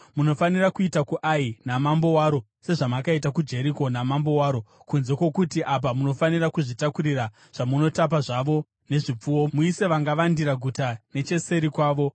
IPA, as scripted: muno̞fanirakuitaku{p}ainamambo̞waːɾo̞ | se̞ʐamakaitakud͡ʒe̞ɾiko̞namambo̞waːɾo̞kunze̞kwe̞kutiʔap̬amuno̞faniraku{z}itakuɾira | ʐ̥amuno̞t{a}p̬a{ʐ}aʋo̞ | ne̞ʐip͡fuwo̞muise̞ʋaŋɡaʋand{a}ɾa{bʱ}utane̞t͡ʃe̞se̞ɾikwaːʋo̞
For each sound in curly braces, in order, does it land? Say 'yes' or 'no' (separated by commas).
no, no, yes, yes, no, no